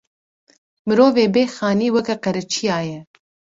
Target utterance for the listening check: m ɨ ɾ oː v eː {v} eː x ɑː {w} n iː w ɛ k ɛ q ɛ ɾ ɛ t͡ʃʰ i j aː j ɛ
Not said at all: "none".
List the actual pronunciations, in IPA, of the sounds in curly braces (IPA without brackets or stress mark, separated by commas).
b, none